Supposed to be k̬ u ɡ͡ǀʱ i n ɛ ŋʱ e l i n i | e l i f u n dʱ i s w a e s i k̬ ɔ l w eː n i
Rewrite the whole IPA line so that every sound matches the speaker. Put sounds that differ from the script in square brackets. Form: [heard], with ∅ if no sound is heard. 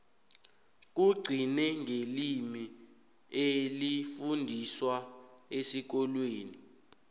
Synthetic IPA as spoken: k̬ u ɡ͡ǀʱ i n ɛ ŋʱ e l i [m] i | e l i f u n dʱ i s w a e s i k̬ ɔ l w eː n i

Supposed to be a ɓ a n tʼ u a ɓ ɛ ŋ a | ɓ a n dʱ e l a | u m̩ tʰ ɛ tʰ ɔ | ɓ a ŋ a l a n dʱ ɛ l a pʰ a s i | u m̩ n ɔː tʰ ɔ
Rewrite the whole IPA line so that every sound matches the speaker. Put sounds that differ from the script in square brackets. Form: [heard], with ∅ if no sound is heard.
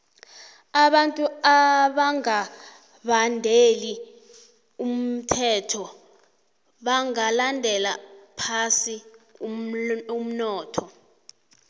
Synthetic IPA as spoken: a ɓ a n tʼ u a ɓ [a] ŋ a | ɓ a n dʱ e l [i] | u m̩ tʰ ɛ tʰ ɔ | ɓ a ŋ a l a n dʱ ɛ l a pʰ a s i | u m̩ n ɔː tʰ ɔ

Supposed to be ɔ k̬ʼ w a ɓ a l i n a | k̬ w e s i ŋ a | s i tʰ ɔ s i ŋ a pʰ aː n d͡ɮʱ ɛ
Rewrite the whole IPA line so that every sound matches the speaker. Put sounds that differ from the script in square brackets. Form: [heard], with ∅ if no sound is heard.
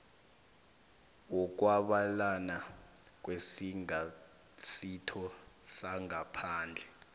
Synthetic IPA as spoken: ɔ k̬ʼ w a ɓ a l [a] n a | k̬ w e s i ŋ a | s i tʰ ɔ s [a] ŋ a pʰ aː n d͡ɮʱ ɛ

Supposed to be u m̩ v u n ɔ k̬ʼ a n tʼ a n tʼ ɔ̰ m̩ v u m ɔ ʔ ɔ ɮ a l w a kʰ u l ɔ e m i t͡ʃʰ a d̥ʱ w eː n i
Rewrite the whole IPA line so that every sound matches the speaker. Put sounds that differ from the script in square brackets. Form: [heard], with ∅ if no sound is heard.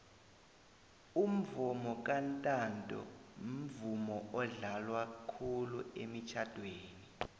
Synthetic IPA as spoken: u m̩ v u [m] ɔ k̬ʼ a n tʼ a n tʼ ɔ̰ m̩ v u m ɔ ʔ ɔ ɮ a l w a kʰ u l [u] e m i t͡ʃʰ a d̥ʱ w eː n i

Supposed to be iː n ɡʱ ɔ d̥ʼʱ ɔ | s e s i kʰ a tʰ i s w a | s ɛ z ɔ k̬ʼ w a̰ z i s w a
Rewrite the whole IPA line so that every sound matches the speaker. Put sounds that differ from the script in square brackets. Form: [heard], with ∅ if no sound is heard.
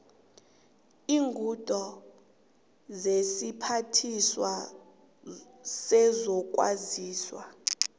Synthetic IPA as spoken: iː [ŋ] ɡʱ [u] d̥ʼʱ ɔ | [z] e s i [pʰ] a tʰ i s w a | s ɛ z ɔ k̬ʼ w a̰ z [iː] s w a

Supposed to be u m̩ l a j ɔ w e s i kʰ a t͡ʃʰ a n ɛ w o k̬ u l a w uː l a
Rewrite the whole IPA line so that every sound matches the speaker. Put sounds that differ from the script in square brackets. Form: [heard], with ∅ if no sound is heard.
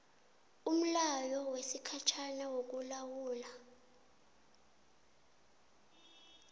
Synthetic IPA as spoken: u m̩ l a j ɔ w e s i kʰ a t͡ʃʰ a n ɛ w o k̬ u l a w uː l a

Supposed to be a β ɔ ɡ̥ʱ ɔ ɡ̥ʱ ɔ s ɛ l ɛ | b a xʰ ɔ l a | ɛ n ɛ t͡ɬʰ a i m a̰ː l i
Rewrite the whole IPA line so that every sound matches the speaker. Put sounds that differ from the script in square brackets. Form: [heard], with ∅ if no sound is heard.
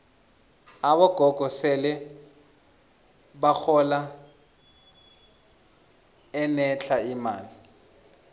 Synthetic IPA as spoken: a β ɔ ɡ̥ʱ ɔ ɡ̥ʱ ɔ s ɛ l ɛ | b a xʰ ɔ l a | ɛ n ɛ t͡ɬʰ a i m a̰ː l i

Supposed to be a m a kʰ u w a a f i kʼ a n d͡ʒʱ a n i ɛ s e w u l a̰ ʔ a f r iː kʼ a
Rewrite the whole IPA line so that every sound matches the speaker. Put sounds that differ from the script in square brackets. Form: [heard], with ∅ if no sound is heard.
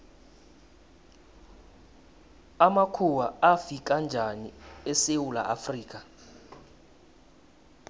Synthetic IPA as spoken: a m a kʰ u w a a f i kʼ a n d͡ʒʱ a n i ɛ s e w u l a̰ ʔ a f r iː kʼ a

